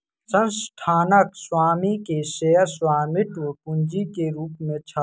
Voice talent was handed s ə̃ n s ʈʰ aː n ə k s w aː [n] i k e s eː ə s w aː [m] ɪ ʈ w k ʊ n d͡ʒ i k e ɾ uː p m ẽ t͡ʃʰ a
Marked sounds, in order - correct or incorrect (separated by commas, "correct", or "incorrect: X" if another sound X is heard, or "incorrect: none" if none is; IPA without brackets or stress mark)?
incorrect: m, correct